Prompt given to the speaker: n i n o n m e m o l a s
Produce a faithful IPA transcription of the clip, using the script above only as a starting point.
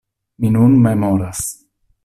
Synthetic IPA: m i n u n m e m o ɾ a s